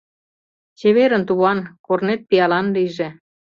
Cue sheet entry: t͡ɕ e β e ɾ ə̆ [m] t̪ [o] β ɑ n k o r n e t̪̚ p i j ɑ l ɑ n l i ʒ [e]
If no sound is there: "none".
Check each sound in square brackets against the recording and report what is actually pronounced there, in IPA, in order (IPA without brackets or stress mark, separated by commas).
n, u, e